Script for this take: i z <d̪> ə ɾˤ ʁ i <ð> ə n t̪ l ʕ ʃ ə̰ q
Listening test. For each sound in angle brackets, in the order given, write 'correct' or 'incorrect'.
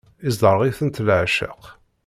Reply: correct, incorrect

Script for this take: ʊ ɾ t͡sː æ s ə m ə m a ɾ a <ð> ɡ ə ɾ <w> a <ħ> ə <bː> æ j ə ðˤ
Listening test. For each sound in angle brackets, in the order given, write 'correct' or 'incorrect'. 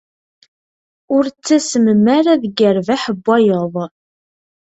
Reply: correct, incorrect, correct, correct

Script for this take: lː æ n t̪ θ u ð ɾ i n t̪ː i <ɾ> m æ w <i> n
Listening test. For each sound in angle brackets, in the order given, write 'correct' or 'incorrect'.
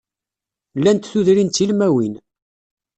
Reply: incorrect, correct

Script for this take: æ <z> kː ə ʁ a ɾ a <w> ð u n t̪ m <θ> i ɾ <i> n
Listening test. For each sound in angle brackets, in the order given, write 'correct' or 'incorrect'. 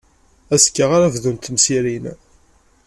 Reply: incorrect, incorrect, incorrect, correct

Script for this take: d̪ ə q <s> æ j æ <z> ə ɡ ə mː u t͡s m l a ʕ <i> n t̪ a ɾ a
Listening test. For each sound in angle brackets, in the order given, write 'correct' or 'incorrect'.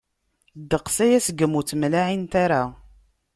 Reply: correct, incorrect, correct

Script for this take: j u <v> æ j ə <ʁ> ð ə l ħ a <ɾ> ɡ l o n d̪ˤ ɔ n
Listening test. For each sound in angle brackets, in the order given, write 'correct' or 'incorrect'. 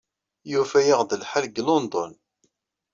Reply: incorrect, correct, incorrect

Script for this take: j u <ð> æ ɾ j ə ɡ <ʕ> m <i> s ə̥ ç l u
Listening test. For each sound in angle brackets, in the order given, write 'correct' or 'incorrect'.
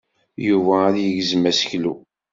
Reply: incorrect, incorrect, incorrect

